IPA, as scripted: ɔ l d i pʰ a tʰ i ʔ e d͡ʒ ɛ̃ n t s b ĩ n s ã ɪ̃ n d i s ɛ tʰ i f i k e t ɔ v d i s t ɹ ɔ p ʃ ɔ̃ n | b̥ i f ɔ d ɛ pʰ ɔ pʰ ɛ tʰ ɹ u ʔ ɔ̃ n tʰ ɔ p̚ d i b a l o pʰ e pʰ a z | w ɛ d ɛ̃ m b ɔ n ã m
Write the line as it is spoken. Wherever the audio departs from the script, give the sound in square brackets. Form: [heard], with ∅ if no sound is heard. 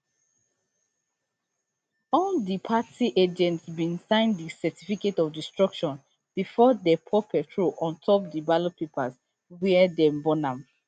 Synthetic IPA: ɔ l d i pʰ a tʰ i ʔ e d͡ʒ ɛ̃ n t s b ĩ n s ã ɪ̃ n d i s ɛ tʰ i f i k e t ɔ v d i s t ɹ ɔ [k] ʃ ɔ̃ n | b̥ i f ɔ d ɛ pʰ ɔ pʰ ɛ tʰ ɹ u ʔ ɔ̃ n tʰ ɔ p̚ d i b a l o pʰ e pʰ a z | w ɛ d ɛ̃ m b ɔ n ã m